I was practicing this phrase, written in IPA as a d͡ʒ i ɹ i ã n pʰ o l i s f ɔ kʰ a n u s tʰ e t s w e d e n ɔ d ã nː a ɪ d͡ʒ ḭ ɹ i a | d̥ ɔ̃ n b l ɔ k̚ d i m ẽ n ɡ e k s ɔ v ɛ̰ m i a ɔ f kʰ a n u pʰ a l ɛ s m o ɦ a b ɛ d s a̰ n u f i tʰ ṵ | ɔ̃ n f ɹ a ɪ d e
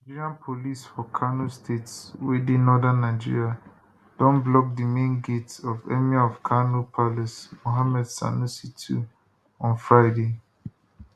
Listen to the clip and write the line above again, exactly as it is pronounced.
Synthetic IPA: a d͡ʒ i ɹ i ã n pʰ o l i s f ɔ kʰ a n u s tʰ e t s w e d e n ɔ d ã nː a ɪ d͡ʒ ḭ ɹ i a | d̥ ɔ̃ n b l ɔ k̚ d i m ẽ n ɡ e t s ɔ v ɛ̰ m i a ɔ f kʰ a n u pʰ a l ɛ s m o ɦ a m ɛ d s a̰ n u s i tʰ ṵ | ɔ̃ n f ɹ a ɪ d e